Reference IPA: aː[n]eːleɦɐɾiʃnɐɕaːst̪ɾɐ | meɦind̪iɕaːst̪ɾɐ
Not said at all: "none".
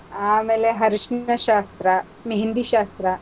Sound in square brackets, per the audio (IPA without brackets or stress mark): m